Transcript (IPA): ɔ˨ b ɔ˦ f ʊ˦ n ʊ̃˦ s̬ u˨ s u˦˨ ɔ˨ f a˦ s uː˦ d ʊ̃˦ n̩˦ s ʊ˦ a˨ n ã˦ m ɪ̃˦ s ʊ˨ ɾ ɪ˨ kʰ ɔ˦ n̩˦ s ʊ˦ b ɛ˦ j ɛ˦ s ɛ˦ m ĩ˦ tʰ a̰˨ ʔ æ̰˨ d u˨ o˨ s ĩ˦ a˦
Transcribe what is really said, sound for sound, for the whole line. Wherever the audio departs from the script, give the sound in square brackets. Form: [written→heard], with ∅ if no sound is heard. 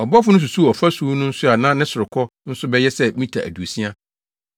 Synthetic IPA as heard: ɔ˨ b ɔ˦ f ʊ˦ n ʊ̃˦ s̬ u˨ s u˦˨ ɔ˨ f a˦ s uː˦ [d→n] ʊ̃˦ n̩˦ s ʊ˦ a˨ n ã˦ [m→n] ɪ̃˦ s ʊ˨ ɾ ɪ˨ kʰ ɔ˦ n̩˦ s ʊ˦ b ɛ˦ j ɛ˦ s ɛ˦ m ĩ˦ tʰ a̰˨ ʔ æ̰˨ d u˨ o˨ s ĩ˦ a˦